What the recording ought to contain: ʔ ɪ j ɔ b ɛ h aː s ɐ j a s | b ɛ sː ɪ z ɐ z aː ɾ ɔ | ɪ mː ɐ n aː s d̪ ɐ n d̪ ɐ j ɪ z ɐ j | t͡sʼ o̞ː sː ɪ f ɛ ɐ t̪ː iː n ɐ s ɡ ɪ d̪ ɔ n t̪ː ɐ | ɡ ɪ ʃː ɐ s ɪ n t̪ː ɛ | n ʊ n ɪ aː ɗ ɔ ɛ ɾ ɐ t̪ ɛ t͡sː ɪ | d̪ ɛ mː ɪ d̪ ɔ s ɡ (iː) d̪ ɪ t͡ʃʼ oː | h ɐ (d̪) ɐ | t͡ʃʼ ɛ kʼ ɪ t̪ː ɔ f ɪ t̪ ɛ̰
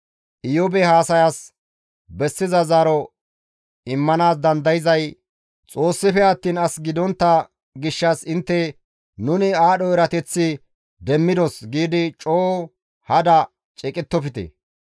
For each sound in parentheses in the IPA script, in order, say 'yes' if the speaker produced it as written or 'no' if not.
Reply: yes, yes

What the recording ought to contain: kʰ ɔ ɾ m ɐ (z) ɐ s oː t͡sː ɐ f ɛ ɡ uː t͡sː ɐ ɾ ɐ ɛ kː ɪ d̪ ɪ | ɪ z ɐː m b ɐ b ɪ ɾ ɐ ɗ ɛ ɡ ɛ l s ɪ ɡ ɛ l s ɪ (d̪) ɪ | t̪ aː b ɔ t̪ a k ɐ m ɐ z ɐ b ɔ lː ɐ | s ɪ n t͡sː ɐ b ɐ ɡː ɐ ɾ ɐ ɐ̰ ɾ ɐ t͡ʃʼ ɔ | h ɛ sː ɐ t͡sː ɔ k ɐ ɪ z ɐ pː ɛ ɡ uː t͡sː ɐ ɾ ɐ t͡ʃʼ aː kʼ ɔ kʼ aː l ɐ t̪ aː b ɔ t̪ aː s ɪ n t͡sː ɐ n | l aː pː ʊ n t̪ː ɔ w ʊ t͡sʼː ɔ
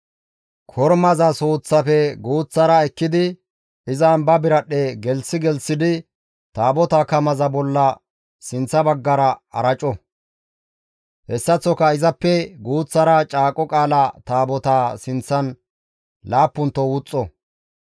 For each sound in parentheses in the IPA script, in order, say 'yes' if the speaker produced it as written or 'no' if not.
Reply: yes, yes

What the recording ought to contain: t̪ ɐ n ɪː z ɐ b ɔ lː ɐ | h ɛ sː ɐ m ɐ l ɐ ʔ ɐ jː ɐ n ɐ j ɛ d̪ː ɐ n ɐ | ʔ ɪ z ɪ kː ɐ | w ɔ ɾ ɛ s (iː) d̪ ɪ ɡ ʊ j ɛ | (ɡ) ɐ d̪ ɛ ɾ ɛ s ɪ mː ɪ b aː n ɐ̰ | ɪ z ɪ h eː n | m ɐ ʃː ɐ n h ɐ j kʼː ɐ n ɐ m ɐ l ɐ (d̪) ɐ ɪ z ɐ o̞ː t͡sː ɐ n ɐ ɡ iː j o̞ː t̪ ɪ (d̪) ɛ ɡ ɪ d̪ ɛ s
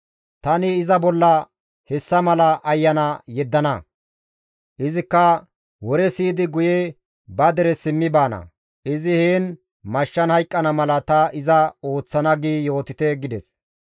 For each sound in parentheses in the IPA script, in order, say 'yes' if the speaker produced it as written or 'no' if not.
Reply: yes, no, no, no

